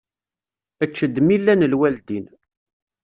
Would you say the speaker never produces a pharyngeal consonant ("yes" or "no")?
yes